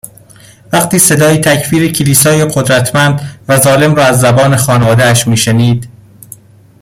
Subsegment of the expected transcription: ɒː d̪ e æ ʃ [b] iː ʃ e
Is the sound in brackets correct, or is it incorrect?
incorrect